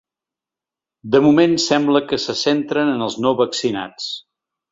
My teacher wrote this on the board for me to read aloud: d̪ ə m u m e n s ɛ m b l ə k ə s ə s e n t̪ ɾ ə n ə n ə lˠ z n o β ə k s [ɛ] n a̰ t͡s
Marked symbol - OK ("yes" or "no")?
no